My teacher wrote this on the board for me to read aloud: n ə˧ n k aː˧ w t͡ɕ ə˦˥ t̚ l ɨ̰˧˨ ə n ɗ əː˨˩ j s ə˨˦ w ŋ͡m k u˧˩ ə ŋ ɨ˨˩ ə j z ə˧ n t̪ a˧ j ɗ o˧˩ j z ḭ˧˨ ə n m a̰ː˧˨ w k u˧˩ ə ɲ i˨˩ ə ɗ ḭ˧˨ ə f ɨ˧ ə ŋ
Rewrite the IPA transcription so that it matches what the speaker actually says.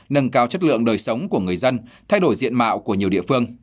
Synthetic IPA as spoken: n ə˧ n k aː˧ w t͡ɕ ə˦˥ t̚ l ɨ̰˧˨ ə ŋ ɗ əː˨˩ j s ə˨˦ w ŋ͡m k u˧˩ ə ŋ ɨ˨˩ ə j z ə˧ n t̪ʰ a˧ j ɗ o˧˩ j z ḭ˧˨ ə n m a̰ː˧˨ w k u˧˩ ə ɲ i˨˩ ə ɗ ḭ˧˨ ə f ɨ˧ ə ŋ